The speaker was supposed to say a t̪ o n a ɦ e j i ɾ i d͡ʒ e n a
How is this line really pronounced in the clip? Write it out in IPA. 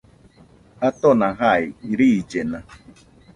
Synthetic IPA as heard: a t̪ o n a ɦ a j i ɾ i d͡ʒ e n a